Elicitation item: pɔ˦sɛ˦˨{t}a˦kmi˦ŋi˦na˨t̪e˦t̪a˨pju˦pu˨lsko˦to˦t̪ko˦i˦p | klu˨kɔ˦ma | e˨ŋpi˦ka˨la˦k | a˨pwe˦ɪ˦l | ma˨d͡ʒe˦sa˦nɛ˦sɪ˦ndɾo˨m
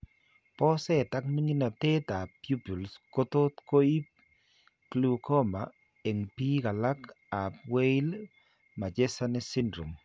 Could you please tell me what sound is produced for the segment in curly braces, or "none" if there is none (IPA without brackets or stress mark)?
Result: t